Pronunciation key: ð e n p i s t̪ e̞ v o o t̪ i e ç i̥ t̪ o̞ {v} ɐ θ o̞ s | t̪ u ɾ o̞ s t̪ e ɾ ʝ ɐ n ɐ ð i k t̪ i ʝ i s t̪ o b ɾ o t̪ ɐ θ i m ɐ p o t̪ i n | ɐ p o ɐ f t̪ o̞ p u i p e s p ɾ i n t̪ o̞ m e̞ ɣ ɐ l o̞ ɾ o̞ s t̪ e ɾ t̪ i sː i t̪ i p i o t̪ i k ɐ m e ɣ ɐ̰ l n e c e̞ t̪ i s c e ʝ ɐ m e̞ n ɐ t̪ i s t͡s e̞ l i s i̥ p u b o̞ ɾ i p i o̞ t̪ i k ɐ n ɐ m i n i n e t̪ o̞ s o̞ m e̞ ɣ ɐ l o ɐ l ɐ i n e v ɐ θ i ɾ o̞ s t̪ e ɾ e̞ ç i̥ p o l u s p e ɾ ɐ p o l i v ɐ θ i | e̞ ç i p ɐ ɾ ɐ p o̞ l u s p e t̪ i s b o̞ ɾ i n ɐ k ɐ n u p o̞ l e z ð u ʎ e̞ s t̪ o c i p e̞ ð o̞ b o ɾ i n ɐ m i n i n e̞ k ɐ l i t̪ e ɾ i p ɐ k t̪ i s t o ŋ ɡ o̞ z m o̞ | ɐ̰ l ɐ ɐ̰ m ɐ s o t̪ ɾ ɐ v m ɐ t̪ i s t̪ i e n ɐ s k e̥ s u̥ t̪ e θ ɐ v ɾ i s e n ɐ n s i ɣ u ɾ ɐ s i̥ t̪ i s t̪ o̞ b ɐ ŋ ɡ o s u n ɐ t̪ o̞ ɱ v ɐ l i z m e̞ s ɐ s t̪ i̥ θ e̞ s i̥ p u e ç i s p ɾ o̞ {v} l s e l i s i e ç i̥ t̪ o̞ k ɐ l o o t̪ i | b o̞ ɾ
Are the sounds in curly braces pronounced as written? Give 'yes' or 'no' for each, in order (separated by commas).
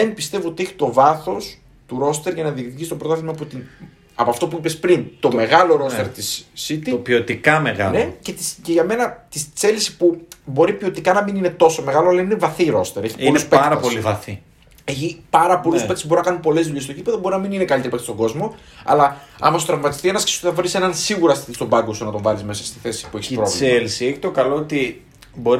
yes, yes